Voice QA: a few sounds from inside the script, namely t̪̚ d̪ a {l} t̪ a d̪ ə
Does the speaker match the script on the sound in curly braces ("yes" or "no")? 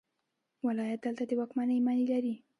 yes